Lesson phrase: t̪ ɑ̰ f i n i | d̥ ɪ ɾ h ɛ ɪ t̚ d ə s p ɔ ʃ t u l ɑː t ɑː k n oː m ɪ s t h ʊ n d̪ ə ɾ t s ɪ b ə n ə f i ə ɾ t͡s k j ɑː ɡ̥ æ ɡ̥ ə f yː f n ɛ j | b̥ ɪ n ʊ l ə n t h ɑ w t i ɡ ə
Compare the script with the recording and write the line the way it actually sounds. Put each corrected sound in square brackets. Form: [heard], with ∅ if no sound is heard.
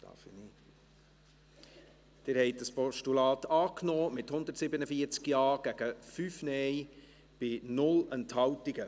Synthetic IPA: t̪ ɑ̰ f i n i | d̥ ɪ ɾ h ɛ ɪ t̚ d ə s p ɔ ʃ t u l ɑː t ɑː k n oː m ɪ [∅] t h ʊ n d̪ ə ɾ t s ɪ b ə n ə f i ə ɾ t͡s k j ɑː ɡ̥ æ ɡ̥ ə f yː f n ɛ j | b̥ ɪ n ʊ l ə n t h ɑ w t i ɡ ə

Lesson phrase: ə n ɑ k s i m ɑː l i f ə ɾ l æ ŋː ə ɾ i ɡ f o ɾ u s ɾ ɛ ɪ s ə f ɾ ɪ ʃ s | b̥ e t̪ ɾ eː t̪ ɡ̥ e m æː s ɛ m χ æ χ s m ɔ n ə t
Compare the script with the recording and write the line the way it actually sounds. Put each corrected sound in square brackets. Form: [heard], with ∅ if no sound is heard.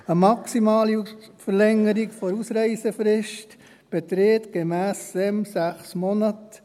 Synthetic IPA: ə [m] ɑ k s i m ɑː l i f ə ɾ l [ɛ] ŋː ə ɾ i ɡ f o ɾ u s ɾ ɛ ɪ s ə f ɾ ɪ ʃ [t] | b̥ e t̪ ɾ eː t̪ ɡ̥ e m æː s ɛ m [s] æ χ s m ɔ n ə t

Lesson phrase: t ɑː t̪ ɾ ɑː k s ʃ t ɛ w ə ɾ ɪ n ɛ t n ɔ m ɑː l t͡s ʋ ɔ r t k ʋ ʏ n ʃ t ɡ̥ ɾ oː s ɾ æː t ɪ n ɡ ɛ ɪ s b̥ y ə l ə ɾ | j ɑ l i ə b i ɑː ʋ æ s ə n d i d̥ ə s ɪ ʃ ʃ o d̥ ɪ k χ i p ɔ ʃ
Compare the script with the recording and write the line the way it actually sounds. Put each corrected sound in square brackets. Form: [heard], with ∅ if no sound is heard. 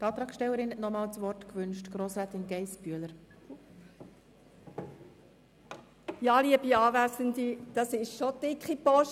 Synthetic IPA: t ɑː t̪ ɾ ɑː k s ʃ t ɛ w ə ɾ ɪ n ɛ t n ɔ m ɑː l t͡s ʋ ɔ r t k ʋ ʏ n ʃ t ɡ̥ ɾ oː s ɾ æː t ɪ n ɡ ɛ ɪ s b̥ y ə l ə ɾ | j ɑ l i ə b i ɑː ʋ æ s ə n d i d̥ [ɑ] s ɪ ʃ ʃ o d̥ ɪ k χ i p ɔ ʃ

